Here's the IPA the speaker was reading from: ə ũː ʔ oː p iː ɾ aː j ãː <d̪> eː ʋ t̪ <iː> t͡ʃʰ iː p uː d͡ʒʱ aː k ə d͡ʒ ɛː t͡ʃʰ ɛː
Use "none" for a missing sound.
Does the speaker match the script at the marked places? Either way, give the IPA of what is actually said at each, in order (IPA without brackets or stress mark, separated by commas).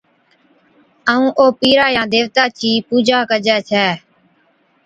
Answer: d̪, aː